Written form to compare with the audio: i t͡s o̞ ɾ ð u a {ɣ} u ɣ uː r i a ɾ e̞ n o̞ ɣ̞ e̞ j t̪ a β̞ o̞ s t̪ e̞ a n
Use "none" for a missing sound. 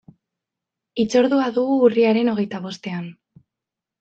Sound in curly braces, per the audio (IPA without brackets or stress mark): ð